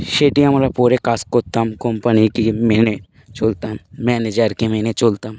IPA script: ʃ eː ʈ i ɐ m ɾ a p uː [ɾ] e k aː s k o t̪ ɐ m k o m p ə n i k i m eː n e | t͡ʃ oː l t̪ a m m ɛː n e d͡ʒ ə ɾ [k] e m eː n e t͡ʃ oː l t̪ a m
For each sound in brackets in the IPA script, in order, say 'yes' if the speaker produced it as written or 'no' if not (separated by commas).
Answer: yes, yes